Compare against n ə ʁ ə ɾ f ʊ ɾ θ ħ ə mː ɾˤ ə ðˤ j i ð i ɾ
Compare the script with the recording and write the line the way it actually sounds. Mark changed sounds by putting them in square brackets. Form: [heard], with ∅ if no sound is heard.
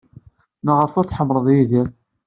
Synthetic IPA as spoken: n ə ʁ ə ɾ f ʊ ɾ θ ħ ə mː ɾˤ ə ðˤ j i ð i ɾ